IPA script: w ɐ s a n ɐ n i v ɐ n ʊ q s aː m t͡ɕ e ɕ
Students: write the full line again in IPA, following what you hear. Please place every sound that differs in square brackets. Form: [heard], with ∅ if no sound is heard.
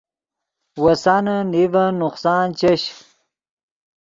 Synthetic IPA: w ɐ s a n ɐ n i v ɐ n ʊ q s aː [n] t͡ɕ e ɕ